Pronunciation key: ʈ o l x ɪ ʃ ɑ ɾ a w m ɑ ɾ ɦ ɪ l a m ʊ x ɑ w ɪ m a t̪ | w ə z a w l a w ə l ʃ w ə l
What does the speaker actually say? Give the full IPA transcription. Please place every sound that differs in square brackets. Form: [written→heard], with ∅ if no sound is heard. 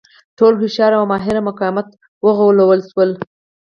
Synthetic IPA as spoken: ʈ o l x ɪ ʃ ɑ ɾ a w m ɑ [ɾ→∅] ɦ ɪ [l→ɾ] a m ʊ [x→k] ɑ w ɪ m a t̪ | w ə [z→ɣ] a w l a w ə l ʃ w ə l